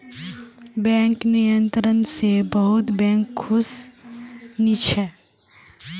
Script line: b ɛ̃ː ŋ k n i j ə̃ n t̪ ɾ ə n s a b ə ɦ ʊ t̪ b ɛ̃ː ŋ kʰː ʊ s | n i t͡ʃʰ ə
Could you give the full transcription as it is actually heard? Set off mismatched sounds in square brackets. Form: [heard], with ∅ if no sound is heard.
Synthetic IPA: b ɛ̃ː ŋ k n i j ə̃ n t̪ ɾ ə n s [e] b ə ɦ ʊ t̪ b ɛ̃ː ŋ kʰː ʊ s | n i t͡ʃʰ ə